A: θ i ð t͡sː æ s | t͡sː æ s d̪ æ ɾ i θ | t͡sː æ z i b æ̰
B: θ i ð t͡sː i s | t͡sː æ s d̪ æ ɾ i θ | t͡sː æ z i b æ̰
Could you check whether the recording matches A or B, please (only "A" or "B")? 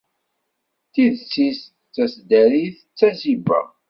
B